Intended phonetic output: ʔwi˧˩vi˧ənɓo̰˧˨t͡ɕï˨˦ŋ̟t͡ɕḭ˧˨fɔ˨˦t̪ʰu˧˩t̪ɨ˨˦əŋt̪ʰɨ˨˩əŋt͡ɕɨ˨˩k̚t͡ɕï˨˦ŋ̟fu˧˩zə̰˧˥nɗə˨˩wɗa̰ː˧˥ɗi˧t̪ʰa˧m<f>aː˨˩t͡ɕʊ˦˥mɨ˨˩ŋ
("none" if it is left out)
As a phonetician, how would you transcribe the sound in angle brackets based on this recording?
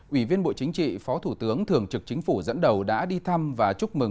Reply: v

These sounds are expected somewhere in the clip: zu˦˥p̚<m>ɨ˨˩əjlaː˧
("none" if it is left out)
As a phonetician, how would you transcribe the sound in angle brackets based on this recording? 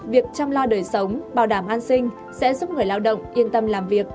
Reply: ŋ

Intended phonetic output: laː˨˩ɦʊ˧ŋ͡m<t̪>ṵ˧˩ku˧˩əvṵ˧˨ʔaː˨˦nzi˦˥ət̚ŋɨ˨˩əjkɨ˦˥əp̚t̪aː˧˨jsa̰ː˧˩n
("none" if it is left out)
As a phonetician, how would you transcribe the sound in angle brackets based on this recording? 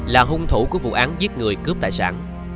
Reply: t̪ʰ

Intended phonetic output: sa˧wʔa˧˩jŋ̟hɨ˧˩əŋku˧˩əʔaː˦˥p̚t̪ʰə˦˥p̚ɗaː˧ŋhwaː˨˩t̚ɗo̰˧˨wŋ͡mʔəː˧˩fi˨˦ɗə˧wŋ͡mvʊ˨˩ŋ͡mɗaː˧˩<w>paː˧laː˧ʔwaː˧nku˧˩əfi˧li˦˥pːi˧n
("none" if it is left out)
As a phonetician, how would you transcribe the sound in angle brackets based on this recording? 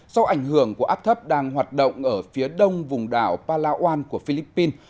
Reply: w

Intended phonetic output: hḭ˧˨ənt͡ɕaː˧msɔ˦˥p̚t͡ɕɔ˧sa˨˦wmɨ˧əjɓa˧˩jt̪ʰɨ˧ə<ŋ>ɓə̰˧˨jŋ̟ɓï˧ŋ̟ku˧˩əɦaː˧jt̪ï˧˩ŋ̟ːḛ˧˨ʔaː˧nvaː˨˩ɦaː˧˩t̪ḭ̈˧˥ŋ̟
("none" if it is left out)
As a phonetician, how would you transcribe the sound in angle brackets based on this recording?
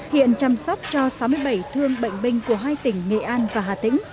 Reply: ŋ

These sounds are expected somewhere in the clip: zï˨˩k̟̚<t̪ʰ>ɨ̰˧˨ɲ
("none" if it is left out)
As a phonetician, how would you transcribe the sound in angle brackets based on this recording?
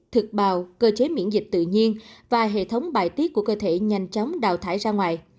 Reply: t̪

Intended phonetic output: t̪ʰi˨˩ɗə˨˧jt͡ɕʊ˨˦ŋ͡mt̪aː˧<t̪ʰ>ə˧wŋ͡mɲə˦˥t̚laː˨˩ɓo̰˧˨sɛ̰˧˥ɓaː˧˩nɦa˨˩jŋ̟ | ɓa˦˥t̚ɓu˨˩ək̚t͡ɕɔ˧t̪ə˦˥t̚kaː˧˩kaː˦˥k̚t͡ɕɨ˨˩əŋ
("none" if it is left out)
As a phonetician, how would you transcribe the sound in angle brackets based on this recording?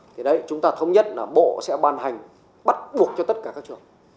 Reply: t̪ʰ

